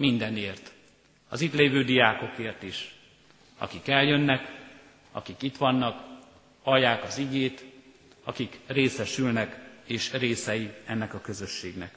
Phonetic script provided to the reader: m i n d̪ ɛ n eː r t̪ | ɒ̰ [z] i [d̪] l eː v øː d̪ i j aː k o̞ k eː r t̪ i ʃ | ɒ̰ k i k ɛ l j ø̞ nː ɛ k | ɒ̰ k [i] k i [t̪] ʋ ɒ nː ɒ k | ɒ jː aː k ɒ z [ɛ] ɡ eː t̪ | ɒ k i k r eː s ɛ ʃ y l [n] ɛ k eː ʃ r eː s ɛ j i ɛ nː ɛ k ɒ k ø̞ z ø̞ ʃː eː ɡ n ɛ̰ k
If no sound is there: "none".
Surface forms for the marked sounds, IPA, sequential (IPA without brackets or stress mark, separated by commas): z, t̪, i, t̪, i, n